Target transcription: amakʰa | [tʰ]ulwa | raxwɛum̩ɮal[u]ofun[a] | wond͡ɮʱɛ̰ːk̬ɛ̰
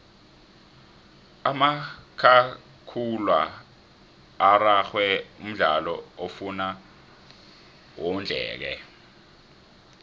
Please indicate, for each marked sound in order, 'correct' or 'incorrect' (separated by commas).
incorrect, incorrect, correct